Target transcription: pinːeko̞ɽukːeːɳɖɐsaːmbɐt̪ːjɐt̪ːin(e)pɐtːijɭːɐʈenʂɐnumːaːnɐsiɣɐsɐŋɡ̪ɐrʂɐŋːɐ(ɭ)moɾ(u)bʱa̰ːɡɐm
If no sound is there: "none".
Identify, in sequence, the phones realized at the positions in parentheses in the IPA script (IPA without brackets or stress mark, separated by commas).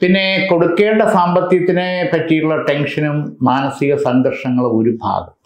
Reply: e, ɭ, u